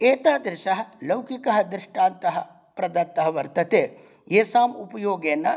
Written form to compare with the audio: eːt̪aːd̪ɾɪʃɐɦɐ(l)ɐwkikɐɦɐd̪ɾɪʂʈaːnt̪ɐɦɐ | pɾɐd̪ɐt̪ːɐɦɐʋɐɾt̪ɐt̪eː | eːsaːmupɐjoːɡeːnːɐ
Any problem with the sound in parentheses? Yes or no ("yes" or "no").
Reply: no